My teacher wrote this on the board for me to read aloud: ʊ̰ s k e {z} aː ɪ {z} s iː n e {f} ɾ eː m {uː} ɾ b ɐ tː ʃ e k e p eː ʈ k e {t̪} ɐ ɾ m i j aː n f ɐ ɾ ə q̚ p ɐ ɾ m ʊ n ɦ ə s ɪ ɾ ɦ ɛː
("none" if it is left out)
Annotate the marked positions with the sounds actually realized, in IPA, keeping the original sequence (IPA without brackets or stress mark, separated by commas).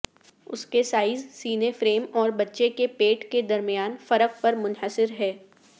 s, z, f, ɔː, d̪